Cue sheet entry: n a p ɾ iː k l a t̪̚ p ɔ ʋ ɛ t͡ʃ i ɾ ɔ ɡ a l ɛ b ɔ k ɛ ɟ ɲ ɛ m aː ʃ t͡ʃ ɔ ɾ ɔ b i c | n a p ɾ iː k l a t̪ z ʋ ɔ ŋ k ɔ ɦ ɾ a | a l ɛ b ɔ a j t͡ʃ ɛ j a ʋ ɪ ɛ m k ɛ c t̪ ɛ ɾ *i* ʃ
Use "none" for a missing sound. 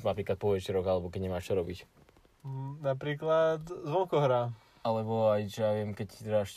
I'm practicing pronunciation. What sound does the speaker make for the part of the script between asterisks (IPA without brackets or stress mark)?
a